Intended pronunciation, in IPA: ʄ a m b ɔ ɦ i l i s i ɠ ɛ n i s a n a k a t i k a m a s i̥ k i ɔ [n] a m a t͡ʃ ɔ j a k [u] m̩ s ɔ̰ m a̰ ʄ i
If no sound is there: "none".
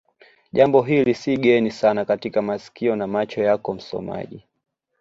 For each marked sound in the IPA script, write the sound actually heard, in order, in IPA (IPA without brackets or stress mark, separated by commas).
n, ɔ